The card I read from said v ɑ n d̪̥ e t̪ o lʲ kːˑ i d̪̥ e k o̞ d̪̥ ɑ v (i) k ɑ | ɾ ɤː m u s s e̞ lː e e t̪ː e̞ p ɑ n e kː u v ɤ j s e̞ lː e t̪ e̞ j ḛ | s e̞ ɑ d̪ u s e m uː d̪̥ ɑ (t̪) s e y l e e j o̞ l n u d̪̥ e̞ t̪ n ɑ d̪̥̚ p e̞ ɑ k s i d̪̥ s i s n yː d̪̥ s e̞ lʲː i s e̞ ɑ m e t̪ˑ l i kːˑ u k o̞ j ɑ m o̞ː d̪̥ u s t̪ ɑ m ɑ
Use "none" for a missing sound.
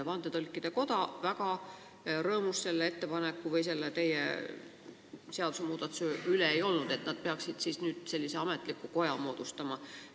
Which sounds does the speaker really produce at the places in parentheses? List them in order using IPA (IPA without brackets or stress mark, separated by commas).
æ, t̪